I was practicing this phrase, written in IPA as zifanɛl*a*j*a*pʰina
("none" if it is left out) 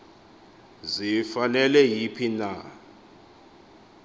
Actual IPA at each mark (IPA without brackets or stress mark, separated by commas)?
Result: ɛ, i